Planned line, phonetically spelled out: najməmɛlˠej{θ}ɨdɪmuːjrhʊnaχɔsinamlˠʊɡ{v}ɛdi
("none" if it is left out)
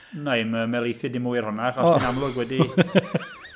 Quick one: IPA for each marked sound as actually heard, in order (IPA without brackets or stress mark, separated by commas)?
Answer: θ, w